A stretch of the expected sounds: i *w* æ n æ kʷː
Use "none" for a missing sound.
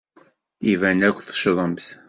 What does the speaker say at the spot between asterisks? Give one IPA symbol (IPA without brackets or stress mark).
v